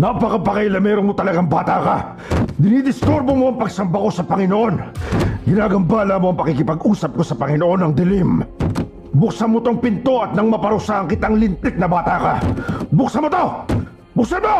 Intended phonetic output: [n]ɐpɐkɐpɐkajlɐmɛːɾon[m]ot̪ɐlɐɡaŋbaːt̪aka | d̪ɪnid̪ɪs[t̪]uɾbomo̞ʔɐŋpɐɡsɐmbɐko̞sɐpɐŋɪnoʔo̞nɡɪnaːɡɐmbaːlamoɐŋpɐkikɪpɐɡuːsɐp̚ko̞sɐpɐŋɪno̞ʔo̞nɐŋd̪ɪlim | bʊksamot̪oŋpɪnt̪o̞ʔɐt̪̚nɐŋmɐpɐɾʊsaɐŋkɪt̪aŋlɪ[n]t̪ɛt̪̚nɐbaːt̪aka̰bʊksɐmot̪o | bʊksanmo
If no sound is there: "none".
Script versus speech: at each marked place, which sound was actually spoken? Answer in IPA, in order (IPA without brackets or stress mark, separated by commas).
n, m, t̪, n